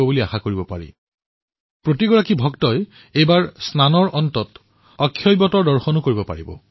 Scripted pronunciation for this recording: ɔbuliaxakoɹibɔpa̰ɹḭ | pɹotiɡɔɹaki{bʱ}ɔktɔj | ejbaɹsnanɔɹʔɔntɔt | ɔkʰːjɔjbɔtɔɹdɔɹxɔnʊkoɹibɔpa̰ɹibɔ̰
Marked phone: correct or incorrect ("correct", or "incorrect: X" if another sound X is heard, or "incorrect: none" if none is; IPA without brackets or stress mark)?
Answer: correct